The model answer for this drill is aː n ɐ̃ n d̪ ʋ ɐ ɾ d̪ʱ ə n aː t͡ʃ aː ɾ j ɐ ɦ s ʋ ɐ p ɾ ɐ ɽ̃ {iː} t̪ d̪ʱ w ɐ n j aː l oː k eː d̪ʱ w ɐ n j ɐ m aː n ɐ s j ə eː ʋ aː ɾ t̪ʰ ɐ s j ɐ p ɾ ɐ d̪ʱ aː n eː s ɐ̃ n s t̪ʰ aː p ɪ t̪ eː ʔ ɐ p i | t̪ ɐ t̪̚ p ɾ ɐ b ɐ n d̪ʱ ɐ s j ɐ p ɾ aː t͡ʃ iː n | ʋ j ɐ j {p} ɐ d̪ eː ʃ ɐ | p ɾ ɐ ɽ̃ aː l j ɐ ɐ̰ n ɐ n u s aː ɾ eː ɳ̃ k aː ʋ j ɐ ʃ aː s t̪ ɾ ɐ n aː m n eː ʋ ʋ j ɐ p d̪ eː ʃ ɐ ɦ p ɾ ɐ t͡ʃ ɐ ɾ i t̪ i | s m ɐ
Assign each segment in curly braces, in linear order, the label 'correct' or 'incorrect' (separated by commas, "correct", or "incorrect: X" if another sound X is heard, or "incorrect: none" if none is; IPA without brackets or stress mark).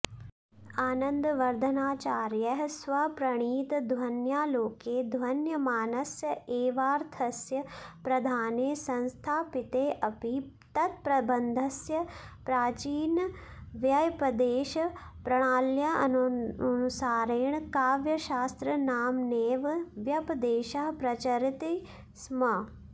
correct, correct